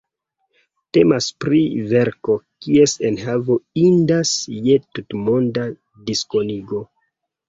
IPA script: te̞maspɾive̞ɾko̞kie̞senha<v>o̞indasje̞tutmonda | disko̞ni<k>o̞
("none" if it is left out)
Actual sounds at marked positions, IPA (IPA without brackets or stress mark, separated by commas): v, ɡ